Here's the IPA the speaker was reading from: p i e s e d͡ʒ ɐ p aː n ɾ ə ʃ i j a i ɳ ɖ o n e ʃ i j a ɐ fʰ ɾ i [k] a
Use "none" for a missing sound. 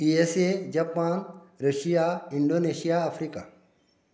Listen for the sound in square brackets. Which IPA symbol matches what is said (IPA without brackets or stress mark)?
k